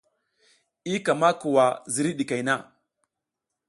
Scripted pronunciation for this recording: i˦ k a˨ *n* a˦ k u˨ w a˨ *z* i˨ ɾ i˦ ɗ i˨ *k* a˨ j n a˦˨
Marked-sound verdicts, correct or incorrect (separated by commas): incorrect, correct, correct